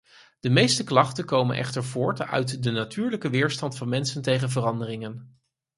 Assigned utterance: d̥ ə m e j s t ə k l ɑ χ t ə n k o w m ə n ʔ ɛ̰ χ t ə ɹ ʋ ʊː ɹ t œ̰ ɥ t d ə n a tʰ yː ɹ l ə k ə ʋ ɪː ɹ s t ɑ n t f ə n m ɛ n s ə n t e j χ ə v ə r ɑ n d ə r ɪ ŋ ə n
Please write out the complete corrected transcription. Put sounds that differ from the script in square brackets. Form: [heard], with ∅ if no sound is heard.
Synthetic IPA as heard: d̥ ə m e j s t ə k l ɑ χ t ə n k o w m ə n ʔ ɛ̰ χ t ə ɹ [v] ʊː ɹ t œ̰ ɥ t d ə n a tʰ yː ɹ l ə k ə ʋ ɪː ɹ s t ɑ n t f [ɑ] n m ɛ n s ə n t e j χ ə v ə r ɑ n d ə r ɪ ŋ ə n